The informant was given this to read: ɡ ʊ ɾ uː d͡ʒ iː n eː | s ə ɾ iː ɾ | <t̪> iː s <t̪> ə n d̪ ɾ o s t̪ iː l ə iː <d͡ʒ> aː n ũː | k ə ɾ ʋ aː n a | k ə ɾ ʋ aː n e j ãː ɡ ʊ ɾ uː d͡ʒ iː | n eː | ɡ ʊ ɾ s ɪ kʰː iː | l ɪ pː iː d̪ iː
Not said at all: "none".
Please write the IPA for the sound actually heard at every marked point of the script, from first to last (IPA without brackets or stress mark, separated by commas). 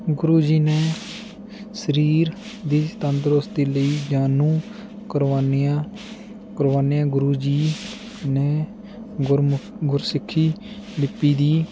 d̪, t̪, d͡ʒ